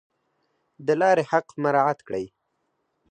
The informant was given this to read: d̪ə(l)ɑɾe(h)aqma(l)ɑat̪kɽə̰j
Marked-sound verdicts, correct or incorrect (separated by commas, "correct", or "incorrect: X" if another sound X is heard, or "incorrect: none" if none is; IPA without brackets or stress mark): correct, correct, incorrect: ɾ